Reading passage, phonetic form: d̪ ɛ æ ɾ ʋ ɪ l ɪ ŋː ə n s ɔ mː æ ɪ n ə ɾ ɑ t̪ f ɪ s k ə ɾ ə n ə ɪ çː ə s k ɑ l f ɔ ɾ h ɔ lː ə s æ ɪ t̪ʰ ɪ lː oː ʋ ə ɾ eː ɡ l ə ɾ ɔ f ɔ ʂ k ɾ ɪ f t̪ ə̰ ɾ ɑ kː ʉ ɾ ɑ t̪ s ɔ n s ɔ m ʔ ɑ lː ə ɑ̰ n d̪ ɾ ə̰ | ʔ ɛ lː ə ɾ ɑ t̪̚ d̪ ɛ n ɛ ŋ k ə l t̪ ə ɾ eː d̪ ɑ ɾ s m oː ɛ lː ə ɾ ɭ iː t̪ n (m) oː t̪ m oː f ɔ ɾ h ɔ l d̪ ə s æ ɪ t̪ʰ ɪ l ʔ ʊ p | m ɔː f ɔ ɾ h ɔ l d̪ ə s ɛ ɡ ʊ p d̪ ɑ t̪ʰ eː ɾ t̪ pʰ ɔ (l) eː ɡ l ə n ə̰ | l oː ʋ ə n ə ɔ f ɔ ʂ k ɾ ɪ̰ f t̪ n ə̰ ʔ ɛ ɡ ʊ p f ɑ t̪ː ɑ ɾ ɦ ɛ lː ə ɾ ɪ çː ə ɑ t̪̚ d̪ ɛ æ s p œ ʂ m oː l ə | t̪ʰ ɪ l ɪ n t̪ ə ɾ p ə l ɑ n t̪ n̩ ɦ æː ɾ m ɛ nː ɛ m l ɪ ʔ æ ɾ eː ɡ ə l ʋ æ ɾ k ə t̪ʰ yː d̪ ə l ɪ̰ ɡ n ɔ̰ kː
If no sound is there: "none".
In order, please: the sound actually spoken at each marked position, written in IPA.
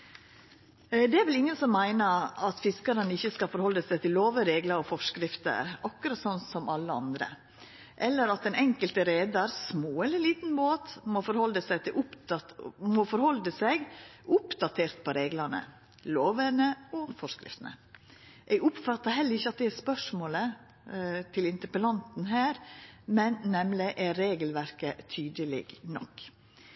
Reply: b, ɾ

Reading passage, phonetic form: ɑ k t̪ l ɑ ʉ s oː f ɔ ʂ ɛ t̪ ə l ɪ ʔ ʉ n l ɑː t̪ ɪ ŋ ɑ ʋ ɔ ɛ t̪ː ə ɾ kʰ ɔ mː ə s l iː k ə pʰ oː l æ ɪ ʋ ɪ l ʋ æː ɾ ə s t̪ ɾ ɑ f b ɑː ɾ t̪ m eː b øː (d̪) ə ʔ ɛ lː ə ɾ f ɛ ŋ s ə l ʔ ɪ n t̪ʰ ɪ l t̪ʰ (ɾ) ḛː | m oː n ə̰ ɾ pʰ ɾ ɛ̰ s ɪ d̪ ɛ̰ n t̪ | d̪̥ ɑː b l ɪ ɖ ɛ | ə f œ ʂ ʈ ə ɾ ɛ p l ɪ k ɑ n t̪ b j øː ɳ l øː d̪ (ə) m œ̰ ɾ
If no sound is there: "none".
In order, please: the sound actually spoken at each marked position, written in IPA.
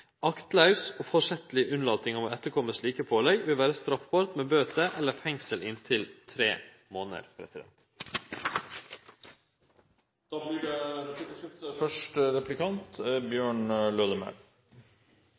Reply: t̪, ɾ, ə

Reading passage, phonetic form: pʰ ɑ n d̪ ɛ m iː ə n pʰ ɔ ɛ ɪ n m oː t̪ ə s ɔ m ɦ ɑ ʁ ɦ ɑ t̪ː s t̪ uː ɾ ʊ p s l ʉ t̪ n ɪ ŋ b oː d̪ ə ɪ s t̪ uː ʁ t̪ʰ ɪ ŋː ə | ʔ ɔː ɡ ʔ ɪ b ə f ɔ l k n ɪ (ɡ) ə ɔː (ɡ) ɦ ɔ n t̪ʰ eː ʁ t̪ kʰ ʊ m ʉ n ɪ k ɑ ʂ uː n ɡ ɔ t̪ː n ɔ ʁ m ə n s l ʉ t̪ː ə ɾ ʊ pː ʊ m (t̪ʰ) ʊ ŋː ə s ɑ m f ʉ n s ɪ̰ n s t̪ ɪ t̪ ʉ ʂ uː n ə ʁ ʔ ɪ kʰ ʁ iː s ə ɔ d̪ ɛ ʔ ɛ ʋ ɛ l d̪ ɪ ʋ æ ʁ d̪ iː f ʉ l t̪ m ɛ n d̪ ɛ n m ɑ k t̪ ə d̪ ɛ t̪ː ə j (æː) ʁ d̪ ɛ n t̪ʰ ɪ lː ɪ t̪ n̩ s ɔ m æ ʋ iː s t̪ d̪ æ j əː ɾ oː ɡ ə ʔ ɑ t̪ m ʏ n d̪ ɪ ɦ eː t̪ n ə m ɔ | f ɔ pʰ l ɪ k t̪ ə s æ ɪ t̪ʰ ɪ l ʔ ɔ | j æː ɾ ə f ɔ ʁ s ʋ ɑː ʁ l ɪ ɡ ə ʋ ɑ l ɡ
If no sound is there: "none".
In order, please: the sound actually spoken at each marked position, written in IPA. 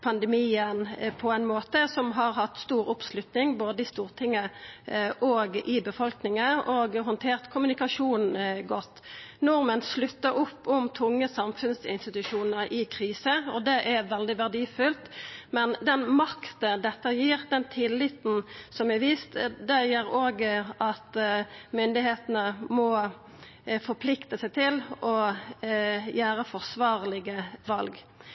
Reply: ŋ, ɡ, t̪ʰ, iː

